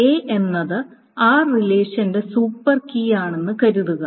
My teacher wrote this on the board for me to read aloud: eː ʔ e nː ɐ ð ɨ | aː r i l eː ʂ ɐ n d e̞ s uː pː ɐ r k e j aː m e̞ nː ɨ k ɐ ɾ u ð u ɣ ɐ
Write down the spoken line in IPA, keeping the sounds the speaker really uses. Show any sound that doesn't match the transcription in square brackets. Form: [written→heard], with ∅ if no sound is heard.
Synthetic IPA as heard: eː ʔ e nː ɐ ð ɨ | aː r i l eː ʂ ɐ n d e̞ s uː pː ɐ r k [e→i] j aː [m→ɳ] e̞ nː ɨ k ɐ ɾ u ð u ɣ ɐ